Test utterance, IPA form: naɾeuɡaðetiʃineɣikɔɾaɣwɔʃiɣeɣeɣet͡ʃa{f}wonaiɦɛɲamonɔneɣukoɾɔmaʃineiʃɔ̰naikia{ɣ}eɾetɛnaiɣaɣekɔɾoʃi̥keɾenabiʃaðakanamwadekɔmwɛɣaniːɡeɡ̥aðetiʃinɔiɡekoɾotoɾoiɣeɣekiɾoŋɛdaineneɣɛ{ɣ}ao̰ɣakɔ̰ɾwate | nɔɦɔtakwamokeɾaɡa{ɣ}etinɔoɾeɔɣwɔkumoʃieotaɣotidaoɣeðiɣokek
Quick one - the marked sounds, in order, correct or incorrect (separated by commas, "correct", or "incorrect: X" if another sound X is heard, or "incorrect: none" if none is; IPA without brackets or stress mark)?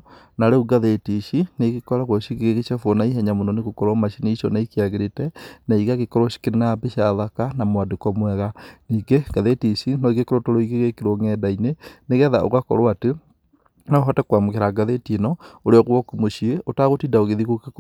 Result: correct, correct, incorrect: ð, incorrect: ð